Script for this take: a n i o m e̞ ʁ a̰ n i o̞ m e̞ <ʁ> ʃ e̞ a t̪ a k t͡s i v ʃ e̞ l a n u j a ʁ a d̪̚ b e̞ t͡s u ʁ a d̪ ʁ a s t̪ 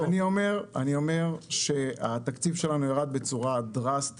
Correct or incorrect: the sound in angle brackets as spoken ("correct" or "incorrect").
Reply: correct